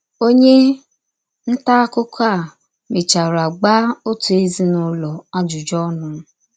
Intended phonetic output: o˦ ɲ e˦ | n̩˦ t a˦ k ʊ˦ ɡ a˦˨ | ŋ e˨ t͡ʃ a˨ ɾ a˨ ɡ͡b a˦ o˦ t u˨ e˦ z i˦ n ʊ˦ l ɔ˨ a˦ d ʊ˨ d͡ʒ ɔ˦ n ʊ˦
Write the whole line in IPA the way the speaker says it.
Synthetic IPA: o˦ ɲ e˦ | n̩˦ t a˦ k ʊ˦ k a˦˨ | m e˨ t͡ʃ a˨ ɾ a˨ ɡ͡b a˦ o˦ t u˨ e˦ z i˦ n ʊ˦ l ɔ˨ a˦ d͡ʒ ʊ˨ d͡ʒ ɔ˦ n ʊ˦

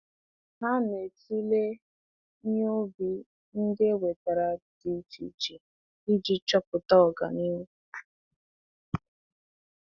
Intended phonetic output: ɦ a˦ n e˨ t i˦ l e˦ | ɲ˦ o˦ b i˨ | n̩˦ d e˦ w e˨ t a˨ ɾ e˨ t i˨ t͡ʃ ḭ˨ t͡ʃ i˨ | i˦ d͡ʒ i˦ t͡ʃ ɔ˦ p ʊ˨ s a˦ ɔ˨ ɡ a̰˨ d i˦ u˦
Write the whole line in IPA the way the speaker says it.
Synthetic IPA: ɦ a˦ n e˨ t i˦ l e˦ | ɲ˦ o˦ b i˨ | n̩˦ d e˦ w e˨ t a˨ ɾ a˨ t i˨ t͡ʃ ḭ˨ t͡ʃ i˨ | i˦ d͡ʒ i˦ t͡ʃ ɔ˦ p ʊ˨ t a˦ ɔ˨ ɡ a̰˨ n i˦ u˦

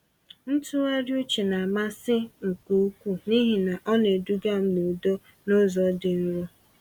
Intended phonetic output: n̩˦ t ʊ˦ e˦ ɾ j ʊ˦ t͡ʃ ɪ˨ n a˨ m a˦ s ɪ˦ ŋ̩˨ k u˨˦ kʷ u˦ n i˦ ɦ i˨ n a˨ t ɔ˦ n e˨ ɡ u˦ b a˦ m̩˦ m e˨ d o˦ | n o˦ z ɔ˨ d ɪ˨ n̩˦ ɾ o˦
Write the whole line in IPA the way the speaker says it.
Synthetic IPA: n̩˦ t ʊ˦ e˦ ɾ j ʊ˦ t͡ʃ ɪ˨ n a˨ m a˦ s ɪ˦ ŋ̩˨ k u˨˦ kʷ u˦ n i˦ ɦ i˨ n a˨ ʔ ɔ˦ n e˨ d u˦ ɡ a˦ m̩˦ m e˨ d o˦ | n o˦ z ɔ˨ d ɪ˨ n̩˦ ɾ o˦

